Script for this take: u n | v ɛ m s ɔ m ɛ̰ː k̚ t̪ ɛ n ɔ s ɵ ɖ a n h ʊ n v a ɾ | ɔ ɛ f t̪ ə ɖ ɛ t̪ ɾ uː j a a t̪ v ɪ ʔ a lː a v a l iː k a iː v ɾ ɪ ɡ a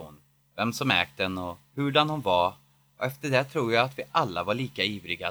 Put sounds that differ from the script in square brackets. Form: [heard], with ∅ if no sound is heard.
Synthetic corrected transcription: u n | v ɛ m s ɔ m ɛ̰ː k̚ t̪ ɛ n ɔ [h] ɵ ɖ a n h ʊ n v a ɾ | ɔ ɛ f t̪ ə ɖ ɛ [t̪ʰ] ɾ uː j a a t̪ v ɪ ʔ a lː a v a [ɭ] iː k a iː v ɾ ɪ ɡ a